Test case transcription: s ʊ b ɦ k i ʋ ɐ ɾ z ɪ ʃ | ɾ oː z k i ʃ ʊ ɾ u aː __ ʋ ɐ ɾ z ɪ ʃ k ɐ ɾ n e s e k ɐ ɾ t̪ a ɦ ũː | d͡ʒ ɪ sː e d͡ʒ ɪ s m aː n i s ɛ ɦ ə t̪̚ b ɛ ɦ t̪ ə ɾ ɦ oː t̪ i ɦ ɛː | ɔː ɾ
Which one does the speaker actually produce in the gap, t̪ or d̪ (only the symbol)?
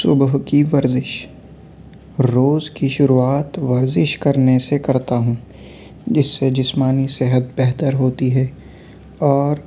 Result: t̪